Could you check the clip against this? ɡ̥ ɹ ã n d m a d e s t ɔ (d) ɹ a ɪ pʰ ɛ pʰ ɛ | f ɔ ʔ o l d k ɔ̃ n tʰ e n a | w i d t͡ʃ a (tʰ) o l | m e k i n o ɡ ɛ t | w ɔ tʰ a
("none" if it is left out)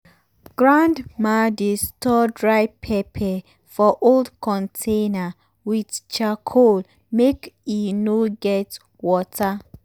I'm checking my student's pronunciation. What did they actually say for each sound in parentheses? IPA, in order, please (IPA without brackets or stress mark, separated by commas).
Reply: d, kʰ